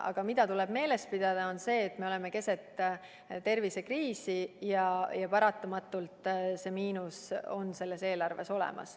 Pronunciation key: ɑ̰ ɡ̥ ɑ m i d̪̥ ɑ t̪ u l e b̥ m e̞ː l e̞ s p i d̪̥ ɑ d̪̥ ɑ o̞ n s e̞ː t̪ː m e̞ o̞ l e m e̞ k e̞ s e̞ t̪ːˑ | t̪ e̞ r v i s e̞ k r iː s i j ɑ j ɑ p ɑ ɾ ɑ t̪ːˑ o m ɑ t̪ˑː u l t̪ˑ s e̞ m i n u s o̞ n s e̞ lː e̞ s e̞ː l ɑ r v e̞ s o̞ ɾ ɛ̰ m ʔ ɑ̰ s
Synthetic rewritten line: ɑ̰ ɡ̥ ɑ m i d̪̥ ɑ t̪ u l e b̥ m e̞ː l e̞ s p i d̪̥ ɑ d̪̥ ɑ o̞ n s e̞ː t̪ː m e̞ o̞ l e m e̞ k e̞ s e̞ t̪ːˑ | t̪ e̞ r v i s e̞ k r iː s i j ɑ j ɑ p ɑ ɾ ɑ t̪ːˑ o m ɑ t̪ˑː u l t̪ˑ s e̞ m iː n u s o̞ n s e̞ lː e̞ s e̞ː l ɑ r v e̞ s o̞ l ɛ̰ m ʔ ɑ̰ s

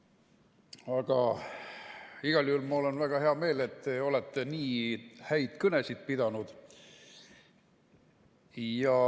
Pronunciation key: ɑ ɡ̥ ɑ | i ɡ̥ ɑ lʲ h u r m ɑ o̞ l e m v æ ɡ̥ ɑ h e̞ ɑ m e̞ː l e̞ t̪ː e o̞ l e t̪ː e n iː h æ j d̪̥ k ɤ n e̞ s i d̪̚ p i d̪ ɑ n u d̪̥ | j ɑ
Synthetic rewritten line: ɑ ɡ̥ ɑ | i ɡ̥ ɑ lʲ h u l m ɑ o̞ l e n v æ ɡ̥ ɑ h e̞ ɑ m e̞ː l e̞ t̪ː e o̞ l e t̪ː e n iː h æ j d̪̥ k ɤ n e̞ s i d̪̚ p i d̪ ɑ n u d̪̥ | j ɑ

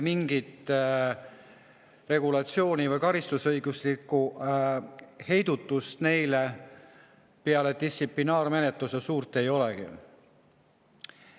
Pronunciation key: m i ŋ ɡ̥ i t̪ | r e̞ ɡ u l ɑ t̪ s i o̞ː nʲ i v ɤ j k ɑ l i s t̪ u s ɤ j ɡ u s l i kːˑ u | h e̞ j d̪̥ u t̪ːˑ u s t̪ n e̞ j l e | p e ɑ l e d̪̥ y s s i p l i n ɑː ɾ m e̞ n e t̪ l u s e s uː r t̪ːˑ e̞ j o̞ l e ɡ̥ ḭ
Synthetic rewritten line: m i ŋ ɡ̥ i t̪ | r e̞ ɡ u l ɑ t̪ s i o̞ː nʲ i v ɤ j k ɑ ɾ i s t̪ u s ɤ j ɡ u s l i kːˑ u | h e̞ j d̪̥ u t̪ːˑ u s t̪ n e̞ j l e | p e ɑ l e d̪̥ i s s i p l i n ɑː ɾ m e̞ n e t̪ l u s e s uː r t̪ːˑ e̞ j o̞ l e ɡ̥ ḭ

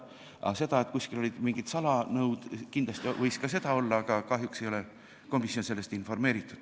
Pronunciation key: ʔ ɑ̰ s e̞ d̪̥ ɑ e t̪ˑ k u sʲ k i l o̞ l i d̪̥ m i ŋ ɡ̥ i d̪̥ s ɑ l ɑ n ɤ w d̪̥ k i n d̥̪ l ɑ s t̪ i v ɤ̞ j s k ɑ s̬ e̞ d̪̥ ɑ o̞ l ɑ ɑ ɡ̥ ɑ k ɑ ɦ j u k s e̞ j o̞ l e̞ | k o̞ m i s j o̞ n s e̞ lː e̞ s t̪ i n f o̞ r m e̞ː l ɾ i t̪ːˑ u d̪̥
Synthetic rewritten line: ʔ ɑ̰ s e̞ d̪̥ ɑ e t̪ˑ k u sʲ k i l o̞ l i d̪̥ m i ŋ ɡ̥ i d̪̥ s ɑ l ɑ n ɤ w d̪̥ k i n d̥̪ l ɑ s t̪ i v ɤ̞ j s k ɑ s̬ e̞ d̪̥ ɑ o̞ lː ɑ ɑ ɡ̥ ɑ k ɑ ɦ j u k s e̞ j o̞ l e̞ | k o̞ m i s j o̞ n s e̞ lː e̞ s t̪ i n f o̞ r m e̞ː ɾ i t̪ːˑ u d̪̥

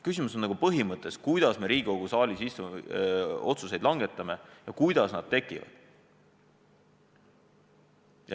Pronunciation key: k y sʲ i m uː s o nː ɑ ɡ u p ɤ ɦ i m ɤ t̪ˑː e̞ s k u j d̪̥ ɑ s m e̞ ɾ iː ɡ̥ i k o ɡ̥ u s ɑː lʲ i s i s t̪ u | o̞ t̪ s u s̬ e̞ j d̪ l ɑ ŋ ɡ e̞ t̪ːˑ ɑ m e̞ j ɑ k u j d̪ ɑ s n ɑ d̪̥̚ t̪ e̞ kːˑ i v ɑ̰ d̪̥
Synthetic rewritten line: k y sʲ i m u s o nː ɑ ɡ u p ɤ ɦ i m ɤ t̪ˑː e̞ s k u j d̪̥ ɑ s m e̞ ɾ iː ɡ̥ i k o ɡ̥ u s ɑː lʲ i s i s t̪ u | o̞ t̪ s u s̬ e̞ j d̪ l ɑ ŋ ɡ e̞ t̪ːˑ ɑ m e̞ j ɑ k u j d̪ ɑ s n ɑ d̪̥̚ t̪ e̞ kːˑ i v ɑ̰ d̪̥

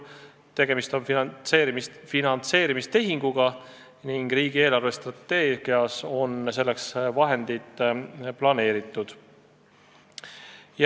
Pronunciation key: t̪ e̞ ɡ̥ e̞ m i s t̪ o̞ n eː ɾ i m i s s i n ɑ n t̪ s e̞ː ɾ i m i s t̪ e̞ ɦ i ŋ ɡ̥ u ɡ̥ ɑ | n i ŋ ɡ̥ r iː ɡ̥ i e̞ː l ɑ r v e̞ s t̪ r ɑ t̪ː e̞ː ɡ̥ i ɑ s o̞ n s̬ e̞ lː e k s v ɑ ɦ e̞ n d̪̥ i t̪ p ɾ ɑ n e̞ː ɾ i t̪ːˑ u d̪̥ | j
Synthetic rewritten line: t̪ e̞ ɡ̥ e̞ m i s t̪ o̞ n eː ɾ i m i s f i n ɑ n t̪ s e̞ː ɾ i m i s t̪ e̞ ɦ i ŋ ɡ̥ u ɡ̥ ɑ | n i ŋ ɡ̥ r iː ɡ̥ i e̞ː l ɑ r v e̞ s t̪ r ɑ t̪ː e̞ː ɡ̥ i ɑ s o̞ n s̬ e̞ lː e k s v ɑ ɦ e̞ n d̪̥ i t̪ p l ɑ n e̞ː ɾ i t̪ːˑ u d̪̥ | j

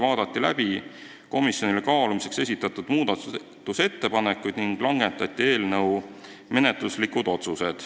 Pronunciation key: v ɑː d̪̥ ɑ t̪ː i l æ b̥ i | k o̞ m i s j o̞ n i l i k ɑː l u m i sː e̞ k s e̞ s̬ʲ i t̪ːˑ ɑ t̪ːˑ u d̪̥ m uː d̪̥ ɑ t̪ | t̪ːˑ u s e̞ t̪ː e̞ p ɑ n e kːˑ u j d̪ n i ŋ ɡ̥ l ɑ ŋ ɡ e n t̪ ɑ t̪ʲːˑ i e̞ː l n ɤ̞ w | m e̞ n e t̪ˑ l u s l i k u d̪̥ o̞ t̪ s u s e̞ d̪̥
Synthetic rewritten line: v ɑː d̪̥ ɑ t̪ː i l æ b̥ i | k o̞ m i s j o̞ n i l e k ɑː l u m i s e̞ k s e̞ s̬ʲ i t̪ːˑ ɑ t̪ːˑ u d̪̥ m uː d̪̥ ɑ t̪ | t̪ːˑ u s e̞ t̪ː e̞ p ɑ n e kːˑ u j d̪ n i ŋ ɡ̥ l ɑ ŋ ɡ e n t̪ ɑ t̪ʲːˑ i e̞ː l n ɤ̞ w | m e̞ n e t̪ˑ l u s l i k u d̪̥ o̞ t̪ s u s e̞ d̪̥

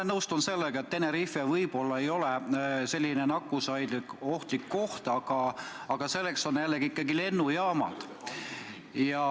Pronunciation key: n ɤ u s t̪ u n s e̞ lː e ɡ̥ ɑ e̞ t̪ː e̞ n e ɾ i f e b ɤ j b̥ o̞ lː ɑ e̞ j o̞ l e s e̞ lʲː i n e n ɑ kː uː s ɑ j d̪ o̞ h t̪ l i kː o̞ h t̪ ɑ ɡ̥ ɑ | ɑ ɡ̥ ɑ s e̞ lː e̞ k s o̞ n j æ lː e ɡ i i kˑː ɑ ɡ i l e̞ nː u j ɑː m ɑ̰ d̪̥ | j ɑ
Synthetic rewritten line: n ɤ w s t̪ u n s e̞ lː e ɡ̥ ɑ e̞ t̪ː e̞ n e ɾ i f e v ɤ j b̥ o̞ lː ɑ e̞ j o̞ l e s e̞ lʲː i n e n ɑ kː u s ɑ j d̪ o̞ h t̪ l i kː o̞ h t̪ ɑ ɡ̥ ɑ | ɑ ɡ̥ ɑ s e̞ lː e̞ k s o̞ n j æ lː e ɡ i i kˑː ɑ ɡ i l e̞ nː u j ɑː m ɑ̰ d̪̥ | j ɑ

